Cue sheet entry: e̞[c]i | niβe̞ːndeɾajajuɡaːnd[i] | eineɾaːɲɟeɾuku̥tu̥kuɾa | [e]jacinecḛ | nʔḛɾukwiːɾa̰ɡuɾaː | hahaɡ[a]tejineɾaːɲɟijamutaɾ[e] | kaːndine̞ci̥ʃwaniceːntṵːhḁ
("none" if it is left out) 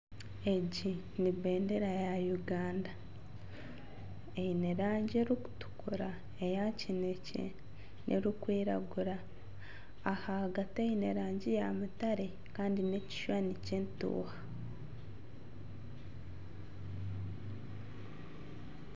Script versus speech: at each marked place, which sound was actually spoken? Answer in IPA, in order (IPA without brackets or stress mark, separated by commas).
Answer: ɟ, a, e, a, e